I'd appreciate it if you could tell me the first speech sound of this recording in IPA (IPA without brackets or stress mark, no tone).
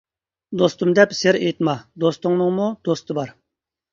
d̪